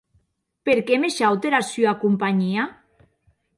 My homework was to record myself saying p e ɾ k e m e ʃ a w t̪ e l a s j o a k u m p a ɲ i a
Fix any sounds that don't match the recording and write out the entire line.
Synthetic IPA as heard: p e ɾ k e m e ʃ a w t̪ e ɾ a s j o a k u m p a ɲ i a